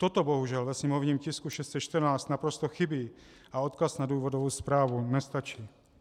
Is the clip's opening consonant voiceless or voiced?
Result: voiceless